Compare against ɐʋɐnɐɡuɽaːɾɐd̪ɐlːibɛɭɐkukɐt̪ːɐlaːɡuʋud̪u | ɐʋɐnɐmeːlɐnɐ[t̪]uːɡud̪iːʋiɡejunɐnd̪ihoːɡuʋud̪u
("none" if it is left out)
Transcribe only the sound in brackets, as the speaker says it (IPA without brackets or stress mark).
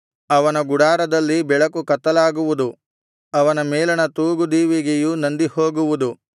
t̪